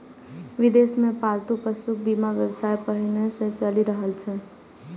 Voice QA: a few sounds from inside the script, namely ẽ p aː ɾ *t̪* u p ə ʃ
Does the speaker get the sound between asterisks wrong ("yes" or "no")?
no